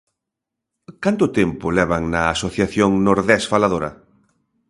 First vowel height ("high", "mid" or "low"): low